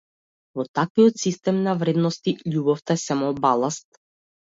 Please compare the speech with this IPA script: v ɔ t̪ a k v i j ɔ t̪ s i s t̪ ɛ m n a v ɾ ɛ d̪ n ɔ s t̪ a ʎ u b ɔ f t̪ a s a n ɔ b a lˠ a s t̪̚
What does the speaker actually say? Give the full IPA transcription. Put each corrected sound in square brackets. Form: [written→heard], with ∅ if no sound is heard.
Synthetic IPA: v ɔ t̪ a k v i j ɔ t̪ s i s t̪ ɛ m n a v ɾ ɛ d̪ n ɔ s t̪ [a→i] ʎ u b ɔ f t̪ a s a [n→m] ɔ b a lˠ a s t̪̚